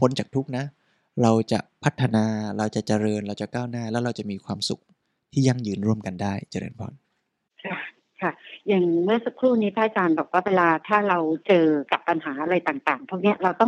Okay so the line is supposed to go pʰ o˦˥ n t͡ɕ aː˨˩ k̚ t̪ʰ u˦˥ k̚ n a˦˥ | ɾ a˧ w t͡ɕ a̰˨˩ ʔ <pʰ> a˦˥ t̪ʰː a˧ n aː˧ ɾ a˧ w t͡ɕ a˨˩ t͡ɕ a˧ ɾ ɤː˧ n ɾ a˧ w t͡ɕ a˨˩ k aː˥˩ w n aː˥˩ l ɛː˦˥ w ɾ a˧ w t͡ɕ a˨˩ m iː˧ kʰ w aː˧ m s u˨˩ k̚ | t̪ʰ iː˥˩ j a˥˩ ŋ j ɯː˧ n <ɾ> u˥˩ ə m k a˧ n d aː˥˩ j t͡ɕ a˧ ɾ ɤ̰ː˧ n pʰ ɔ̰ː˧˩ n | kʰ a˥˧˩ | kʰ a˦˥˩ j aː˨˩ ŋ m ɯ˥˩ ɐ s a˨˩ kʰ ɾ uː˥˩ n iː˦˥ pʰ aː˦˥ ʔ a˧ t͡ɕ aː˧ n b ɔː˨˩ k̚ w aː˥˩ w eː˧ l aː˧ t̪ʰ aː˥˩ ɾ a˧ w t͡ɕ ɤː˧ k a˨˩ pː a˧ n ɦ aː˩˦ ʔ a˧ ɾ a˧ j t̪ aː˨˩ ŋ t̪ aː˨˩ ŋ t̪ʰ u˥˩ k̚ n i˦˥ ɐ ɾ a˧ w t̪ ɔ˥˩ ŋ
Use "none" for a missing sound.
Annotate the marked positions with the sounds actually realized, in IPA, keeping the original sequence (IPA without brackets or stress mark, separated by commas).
pʰ, ɾ